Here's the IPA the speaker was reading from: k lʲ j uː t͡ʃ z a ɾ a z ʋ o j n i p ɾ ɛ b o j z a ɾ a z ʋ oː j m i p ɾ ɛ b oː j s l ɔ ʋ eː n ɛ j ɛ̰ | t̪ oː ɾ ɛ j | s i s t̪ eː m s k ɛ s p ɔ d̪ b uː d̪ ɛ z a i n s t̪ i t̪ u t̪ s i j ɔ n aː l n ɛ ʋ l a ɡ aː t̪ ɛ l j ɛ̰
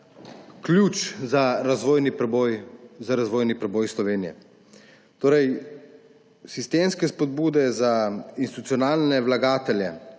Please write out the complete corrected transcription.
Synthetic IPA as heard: k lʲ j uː t͡ʃ z a ɾ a z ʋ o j n i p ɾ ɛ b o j z a ɾ a z ʋ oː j n i p ɾ ɛ b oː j s l ɔ ʋ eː n i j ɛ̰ | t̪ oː ɾ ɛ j | s i s t̪ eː m s k ɛ s p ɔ d̪ b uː d̪ ɛ z a i n s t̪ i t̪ u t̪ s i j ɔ n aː l n ɛ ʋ l a ɡ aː t̪ ɛ l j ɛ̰